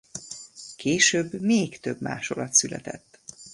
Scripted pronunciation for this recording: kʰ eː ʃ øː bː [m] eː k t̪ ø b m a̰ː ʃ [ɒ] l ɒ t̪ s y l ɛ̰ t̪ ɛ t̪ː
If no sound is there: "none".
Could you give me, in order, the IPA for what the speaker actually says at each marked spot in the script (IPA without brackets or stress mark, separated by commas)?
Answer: m, o